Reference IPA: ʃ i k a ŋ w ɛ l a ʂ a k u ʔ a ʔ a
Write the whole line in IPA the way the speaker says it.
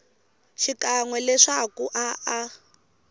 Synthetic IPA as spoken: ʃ i k a ŋ w ɛ l ɛ ʂ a k u ʔ a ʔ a